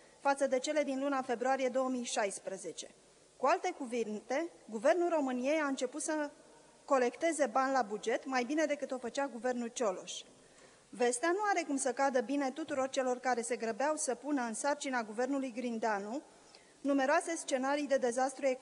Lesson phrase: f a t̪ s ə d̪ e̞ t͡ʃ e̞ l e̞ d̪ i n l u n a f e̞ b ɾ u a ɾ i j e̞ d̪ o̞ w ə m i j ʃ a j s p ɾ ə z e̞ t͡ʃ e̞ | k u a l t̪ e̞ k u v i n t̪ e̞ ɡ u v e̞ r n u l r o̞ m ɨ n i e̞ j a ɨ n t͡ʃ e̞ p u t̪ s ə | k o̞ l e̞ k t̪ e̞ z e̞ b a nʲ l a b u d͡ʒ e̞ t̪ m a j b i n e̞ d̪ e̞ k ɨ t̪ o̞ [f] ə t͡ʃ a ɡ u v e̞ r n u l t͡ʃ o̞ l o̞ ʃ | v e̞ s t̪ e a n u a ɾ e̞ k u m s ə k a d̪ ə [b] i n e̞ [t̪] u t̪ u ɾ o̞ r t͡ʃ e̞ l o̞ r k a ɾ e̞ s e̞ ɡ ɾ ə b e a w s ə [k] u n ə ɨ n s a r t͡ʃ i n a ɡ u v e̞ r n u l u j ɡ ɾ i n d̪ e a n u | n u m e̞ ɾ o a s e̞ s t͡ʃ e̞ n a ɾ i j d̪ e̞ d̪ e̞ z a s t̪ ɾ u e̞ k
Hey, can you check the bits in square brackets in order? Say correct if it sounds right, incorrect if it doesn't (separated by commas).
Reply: correct, correct, correct, incorrect